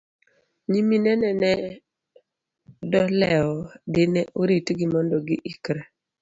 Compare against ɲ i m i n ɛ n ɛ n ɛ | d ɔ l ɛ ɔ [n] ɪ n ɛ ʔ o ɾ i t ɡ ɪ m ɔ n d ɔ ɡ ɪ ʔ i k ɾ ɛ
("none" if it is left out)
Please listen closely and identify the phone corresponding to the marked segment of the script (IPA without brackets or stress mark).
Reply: d